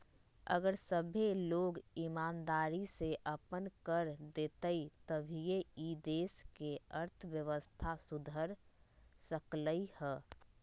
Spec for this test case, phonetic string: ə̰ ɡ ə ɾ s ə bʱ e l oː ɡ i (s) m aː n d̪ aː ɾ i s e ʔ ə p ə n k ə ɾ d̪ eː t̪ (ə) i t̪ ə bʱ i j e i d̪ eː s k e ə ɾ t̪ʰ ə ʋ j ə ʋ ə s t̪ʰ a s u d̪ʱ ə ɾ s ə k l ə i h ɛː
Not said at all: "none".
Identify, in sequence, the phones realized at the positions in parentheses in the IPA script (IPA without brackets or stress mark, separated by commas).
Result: none, ə